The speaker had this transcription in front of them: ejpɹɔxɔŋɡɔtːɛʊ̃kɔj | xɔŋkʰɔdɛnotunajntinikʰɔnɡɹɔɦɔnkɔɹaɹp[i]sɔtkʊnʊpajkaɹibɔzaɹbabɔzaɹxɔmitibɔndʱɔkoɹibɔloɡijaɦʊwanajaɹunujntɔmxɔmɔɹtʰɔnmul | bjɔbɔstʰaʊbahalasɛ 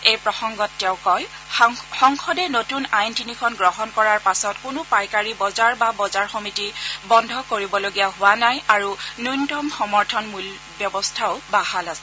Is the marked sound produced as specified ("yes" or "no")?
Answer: no